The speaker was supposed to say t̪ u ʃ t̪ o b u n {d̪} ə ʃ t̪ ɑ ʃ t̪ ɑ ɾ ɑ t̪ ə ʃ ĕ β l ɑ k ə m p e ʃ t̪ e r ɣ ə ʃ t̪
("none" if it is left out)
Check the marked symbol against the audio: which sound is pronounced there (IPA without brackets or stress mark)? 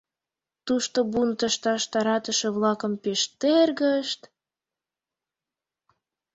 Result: t̪